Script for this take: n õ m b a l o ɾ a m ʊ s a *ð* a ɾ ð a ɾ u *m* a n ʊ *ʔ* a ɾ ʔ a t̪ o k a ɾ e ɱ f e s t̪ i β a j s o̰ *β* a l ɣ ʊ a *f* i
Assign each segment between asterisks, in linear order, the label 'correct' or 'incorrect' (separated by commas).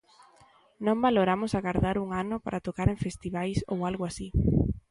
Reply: incorrect, incorrect, incorrect, incorrect, incorrect